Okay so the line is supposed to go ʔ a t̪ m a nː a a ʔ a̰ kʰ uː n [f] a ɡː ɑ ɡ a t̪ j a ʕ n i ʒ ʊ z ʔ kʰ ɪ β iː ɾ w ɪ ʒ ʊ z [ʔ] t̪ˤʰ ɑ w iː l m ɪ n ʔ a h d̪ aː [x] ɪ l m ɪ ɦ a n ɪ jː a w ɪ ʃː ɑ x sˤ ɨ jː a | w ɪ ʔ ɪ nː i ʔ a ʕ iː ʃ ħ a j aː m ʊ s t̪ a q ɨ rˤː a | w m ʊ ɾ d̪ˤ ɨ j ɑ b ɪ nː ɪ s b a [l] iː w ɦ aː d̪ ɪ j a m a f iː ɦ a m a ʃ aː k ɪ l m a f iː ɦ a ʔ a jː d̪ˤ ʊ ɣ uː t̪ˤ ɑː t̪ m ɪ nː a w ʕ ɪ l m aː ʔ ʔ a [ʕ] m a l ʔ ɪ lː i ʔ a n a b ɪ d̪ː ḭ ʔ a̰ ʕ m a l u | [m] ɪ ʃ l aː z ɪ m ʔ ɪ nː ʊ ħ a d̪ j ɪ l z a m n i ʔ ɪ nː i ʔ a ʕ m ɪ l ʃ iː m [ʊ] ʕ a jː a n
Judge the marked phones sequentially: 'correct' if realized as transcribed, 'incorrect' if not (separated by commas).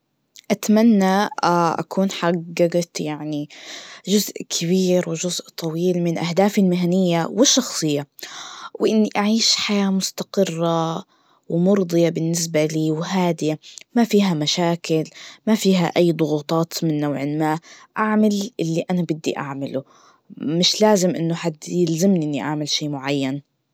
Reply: incorrect, correct, incorrect, correct, correct, correct, correct